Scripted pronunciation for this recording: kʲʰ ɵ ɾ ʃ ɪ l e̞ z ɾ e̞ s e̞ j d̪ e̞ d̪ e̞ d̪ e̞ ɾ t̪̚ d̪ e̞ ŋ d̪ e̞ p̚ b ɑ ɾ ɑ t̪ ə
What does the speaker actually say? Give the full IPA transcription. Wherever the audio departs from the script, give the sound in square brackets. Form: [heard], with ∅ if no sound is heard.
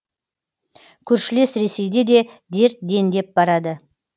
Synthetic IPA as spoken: kʲʰ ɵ ɾ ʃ ɪ l e̞ [s] ɾ e̞ s e̞ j d̪ e̞ d̪ e̞ d̪ e̞ ɾ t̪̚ d̪ e̞ [n] d̪ e̞ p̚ b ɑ ɾ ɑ [d̪] ə

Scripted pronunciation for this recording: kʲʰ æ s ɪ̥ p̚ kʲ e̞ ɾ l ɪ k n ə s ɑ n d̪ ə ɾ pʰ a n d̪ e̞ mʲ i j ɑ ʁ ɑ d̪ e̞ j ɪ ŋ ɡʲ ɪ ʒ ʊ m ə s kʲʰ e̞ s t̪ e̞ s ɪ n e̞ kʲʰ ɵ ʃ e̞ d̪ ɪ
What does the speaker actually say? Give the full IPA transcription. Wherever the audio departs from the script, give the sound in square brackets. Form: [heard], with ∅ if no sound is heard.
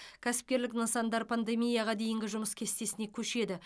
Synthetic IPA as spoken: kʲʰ æ s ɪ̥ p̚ kʲ e̞ ɾ l ɪ k n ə s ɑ n d̪ [ɑ] ɾ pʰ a n d̪ e̞ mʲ i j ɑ ʁ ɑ d̪ e̞ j ɪ ŋ ɡʲ ɪ ʒ ʊ m ə s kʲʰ e̞ s t̪ e̞ s ɪ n e̞ kʲʰ ɵ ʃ e̞ d̪ ɪ

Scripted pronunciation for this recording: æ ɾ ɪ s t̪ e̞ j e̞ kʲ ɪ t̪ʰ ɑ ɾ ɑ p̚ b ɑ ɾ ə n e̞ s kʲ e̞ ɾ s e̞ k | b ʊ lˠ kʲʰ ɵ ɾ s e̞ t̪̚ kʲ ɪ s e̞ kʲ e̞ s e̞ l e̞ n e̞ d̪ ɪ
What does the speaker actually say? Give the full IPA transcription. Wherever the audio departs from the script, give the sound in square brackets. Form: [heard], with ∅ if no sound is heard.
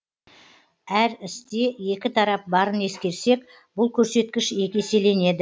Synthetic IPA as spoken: æ ɾ ɪ s t̪ e̞ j e̞ kʲ ɪ t̪ʰ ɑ ɾ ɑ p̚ b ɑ ɾ ə n e̞ s kʲ e̞ ɾ s e̞ k | b ʊ lˠ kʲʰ ɵ ɾ s e̞ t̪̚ kʲ ɪ [ʃ] e̞ kʲ e̞ s e̞ l e̞ n e̞ d̪ ɪ

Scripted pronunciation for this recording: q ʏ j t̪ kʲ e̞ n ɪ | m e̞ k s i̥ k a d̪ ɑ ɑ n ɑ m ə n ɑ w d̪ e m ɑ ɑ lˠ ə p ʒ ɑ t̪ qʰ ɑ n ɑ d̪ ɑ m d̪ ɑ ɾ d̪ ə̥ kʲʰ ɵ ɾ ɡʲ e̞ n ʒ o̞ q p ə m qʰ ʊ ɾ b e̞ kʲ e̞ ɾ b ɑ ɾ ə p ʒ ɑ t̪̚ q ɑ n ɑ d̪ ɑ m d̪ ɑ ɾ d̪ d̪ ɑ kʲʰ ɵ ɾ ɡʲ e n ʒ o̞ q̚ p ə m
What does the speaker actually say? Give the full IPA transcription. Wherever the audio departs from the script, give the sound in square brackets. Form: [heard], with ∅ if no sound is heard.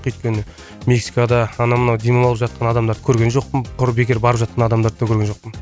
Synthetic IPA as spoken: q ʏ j t̪ kʲ e̞ n ɪ | m e̞ k s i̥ k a d̪ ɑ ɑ n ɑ m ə n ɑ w d̪ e m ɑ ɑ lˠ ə p ʒ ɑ t̪ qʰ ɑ n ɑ d̪ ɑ m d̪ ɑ ɾ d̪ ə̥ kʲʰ ɵ ɾ ɡʲ e̞ n ʒ o̞ q p ə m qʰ ʊ ɾ b e̞ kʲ e̞ ɾ b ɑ ɾ ə p ʒ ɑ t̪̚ q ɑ n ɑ d̪ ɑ m d̪ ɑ ɾ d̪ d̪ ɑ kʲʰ ɵ ɾ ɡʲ e n ʒ o̞ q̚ p ə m

